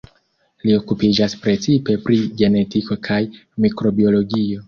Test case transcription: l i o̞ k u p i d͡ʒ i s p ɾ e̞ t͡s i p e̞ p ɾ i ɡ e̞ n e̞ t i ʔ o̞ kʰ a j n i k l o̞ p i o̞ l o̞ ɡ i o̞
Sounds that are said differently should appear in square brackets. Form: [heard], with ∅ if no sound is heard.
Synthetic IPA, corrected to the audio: l i o̞ k u p i d͡ʒ [a] s p ɾ e̞ t͡s i p e̞ p ɾ i ɡ e̞ n e̞ t i [k] o̞ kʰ a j [m] i k [ɾ] o̞ [b] i o̞ l o̞ ɡ i o̞